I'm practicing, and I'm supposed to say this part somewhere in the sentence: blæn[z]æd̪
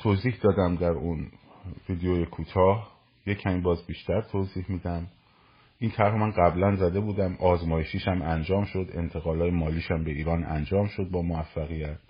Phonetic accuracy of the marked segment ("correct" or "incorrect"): correct